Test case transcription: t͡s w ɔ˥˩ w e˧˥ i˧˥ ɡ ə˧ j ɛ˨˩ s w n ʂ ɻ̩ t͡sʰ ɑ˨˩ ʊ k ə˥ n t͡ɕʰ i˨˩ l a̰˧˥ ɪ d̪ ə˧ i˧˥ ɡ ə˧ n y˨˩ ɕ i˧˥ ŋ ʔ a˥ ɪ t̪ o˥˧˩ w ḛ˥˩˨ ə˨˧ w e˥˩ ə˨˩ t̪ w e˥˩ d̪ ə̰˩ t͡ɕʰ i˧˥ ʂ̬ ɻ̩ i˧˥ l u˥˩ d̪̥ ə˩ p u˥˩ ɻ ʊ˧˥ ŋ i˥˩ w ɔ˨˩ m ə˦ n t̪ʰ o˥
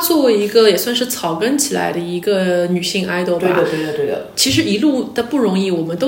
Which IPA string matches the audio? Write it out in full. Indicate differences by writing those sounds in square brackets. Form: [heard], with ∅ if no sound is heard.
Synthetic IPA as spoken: t͡s w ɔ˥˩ w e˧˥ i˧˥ ɡ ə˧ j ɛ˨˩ s w n ʂ ɻ̩ t͡sʰ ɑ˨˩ ʊ k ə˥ n t͡ɕʰ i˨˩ l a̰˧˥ ɪ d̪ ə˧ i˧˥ ɡ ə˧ n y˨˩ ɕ [i˥˧] ŋ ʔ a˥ ɪ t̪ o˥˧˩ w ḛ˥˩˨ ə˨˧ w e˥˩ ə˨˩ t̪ w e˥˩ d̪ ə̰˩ t͡ɕʰ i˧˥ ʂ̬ ɻ̩ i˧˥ l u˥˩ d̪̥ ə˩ p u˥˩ ɻ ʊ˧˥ ŋ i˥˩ w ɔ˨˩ m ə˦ n [t̪] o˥